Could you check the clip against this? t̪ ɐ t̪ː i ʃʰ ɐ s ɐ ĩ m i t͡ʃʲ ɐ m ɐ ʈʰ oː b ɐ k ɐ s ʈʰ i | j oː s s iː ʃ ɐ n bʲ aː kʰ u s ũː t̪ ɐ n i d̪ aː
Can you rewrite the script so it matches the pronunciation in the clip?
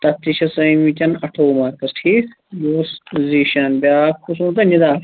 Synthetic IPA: t̪ ɐ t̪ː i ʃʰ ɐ s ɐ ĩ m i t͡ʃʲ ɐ n ɐ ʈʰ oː m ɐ k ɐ s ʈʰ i | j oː s z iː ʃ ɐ n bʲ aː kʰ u s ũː t̪ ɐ n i d̪ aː